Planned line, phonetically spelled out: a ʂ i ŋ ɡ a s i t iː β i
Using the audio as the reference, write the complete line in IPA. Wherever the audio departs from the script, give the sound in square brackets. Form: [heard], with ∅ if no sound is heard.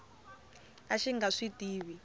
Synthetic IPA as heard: a [ʃ] i ŋ ɡ a [ʂ] i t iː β i